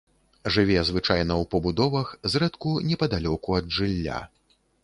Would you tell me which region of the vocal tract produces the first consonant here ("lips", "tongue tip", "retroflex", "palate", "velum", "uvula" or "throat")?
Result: retroflex